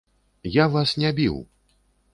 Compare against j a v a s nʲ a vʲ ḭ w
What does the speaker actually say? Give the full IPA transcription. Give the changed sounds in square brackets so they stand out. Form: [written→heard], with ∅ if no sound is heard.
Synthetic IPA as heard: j a v a s nʲ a [vʲ→bʲ] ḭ w